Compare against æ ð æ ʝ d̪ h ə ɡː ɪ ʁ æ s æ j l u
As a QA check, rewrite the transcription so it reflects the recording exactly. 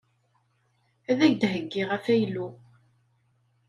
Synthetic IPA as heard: æ ð æ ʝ d̪ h ə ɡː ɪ ʁ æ f æ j l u